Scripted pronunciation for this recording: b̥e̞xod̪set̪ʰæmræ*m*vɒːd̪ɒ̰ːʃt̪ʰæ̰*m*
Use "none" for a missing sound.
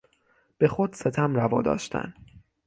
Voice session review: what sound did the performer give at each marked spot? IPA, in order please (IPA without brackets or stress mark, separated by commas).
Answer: none, n